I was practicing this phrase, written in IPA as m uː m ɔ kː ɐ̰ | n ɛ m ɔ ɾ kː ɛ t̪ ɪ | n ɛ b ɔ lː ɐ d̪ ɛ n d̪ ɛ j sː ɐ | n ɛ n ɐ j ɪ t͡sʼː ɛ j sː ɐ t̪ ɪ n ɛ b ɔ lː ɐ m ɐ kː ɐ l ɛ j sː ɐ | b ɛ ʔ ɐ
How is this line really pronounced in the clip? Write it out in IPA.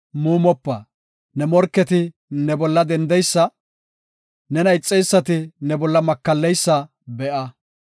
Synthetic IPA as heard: m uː m ɔ pː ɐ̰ | n ɛ m ɔ ɾ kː ɛ t̪ ɪ | n ɛ b ɔ lː ɐ d̪ ɛ n d̪ ɛ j sː ɐ | n ɛ n ɐ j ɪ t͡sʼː ɛ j sː ɐ t̪ ɪ n ɛ b ɔ lː ɐ m ɐ kː ɐ lː ɛ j sː ɐ | b ɛ ʔ ɐ

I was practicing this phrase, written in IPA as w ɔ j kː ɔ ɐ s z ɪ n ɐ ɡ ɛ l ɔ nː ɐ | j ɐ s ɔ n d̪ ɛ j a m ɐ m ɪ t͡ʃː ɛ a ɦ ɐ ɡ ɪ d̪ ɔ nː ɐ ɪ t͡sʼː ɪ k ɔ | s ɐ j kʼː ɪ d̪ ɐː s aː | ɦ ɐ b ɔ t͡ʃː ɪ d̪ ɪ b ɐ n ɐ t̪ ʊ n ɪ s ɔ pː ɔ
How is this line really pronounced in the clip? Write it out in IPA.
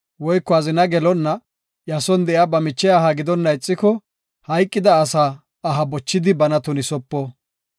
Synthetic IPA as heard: w ɔ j kː ɔ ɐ z ɪ n ɐ ɡ ɛ l ɔ nː ɐ | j ɐ s ɔ n d̪ ɛ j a b ɐ m ɪ t͡ʃː ɛ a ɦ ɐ ɡ ɪ d̪ ɔ nː ɐ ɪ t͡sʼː ɪ k ɔ | h ɐ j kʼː ɪ d̪ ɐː s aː | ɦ ɐ b ɔ t͡ʃː ɪ d̪ ɪ b ɐ n ɐ t̪ ʊ n ɪ s ɔ pː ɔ

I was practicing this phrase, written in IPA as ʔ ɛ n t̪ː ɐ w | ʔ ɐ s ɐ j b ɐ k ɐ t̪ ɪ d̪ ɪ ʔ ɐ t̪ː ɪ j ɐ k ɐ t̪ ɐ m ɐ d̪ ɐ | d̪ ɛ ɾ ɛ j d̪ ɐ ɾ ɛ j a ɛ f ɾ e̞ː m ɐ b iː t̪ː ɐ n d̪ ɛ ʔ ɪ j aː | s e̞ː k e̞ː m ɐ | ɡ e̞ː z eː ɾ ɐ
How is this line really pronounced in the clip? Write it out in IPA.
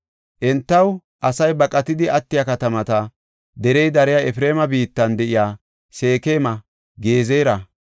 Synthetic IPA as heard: ʔ ɛ n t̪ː ɐ w | ʔ ɐ s ɐ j b ɐ kʼ ɐ t̪ ɪ d̪ ɪ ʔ ɐ t̪ː ɪ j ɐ k ɐ t̪ ɐ m ɐ t̪ ɐ | d̪ ɛ ɾ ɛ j d̪ ɐ ɾ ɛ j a ɛ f ɾ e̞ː m ɐ b iː t̪ː ɐ n d̪ ɛ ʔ ɪ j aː | s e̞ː k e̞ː m ɐ | ɡ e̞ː z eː ɾ ɐ

